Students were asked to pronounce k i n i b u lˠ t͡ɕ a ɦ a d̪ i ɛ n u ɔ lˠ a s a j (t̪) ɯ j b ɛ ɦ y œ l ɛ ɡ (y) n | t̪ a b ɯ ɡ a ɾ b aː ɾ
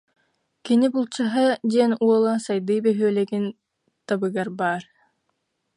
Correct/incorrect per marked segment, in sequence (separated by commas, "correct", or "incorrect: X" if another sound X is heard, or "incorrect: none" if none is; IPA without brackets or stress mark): incorrect: d̪, incorrect: i